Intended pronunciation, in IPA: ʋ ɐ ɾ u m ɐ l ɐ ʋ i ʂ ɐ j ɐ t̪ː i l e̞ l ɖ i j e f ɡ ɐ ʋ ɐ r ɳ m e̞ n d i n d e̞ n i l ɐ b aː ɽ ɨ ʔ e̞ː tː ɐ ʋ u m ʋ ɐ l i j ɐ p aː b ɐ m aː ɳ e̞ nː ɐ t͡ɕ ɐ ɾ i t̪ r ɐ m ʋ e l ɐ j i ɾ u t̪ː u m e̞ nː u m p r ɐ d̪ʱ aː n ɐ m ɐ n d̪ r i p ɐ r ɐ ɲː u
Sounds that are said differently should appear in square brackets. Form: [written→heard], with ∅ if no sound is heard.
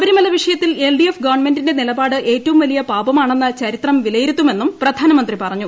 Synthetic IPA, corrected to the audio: ʋ ɐ ɾ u m ɐ l ɐ ʋ i ʂ ɐ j ɐ t̪ː i l e̞ l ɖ i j e f ɡ ɐ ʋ ɐ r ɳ m e̞ n d i n d e̞ n i l ɐ b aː ɽ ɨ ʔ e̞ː tː ɐ ʋ u m ʋ ɐ l i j ɐ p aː b ɐ m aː ɳ e̞ nː ɐ t͡ɕ ɐ ɾ i t̪ r ɐ m ʋ [e→i] l ɐ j i ɾ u t̪ː u m e̞ nː u m p r ɐ d̪ʱ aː n ɐ m ɐ n d̪ r i p ɐ r ɐ ɲː u